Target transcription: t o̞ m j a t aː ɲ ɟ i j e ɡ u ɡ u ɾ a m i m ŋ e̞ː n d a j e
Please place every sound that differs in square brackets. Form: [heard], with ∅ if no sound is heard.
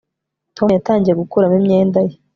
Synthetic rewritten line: t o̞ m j a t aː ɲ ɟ i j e ɡ u [k] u ɾ a m i m [ɲ] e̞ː n d a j e